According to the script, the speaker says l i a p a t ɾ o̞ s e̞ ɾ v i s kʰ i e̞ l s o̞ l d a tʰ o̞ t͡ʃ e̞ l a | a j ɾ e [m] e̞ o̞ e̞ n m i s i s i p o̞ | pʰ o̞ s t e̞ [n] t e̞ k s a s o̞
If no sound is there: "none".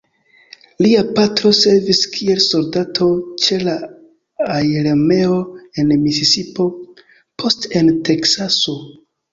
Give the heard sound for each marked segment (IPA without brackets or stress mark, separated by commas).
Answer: m, n